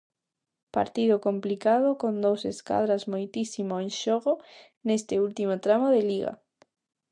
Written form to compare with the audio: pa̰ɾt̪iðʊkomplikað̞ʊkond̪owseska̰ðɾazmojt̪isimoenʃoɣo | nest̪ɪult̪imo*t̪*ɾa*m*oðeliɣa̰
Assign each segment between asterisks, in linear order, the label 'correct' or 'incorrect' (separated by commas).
correct, correct